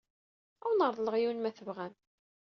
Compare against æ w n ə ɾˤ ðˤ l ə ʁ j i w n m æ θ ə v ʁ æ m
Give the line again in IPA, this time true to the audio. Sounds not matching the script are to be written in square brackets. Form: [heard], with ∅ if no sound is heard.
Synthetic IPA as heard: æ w n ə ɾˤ ðˤ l ə ʁ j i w n m æ θ ə v ʁ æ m